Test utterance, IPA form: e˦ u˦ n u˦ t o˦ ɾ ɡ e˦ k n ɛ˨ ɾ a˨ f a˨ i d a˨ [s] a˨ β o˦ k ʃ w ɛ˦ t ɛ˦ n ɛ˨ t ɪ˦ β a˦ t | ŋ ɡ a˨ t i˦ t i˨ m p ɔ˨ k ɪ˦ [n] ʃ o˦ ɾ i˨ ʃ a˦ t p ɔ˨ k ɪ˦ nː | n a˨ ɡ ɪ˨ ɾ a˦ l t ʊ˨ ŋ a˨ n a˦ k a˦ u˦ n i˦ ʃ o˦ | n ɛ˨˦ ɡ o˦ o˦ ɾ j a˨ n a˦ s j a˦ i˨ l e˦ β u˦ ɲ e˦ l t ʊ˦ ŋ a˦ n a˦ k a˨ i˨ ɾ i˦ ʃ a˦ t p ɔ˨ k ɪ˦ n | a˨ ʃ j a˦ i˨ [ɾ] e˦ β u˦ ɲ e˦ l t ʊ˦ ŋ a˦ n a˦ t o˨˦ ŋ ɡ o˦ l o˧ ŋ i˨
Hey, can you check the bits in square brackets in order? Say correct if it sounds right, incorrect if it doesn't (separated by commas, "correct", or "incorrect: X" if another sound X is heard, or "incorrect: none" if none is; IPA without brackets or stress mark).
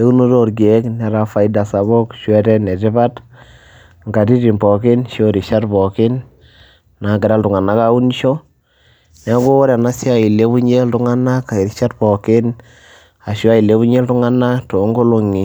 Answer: correct, correct, incorrect: l